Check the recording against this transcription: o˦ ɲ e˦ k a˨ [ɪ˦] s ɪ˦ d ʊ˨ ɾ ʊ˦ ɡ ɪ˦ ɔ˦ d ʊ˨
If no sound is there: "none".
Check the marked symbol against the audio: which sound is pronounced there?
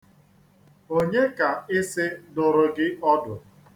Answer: ɪ˦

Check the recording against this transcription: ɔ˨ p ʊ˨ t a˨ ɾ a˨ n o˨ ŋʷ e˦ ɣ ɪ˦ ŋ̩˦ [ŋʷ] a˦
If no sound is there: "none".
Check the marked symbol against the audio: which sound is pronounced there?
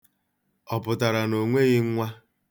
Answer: ŋʷ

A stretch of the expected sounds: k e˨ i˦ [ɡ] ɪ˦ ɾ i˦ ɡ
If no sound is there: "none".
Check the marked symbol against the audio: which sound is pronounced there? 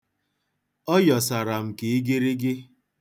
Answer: ɡ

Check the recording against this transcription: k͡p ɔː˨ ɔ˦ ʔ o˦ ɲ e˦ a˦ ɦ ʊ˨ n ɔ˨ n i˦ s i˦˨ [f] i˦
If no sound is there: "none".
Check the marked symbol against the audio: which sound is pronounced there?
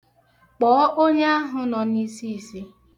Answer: s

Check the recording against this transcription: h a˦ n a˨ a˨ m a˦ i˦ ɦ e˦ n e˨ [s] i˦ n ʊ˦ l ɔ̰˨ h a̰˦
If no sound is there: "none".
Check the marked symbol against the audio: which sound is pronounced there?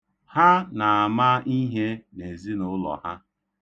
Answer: z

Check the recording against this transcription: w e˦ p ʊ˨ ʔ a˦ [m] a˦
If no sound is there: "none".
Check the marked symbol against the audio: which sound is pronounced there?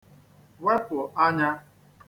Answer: ɲ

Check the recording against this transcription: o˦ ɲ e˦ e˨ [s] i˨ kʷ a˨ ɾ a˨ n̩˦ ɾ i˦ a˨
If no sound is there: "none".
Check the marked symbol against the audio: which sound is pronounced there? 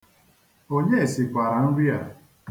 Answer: s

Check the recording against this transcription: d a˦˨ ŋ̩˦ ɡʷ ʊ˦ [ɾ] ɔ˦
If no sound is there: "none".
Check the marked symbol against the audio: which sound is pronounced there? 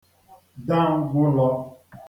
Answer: l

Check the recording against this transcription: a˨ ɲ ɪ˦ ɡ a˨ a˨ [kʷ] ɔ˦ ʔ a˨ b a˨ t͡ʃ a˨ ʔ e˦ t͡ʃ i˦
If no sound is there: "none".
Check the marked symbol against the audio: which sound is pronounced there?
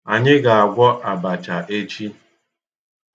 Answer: ɡʷ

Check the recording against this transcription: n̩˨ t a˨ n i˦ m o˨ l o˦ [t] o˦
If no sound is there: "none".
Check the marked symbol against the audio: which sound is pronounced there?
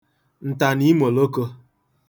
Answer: k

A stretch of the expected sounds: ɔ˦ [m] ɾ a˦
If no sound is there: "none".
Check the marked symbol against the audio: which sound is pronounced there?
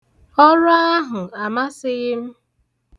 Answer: none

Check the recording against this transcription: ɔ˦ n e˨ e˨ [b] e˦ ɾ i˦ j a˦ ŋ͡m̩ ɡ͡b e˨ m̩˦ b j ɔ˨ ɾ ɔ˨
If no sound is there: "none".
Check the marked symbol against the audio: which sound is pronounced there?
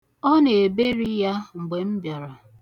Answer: b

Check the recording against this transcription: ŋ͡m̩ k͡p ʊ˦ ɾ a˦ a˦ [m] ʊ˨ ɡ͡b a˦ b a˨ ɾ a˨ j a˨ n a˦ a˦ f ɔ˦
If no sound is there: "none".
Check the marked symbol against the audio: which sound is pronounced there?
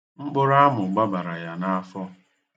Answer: m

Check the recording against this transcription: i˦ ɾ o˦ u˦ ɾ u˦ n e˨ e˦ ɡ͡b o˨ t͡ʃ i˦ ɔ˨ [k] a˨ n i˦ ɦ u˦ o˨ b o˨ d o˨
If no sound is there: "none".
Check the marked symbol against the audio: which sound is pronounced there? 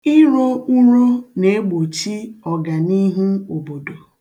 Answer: ɡ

